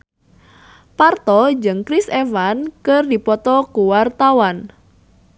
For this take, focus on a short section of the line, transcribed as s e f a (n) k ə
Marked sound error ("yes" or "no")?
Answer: no